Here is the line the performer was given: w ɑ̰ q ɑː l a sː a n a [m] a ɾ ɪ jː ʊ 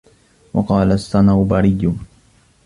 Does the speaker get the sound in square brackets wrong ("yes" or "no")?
yes